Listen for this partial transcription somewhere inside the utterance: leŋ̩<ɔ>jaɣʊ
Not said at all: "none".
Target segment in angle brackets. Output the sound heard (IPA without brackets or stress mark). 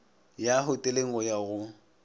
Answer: ɔ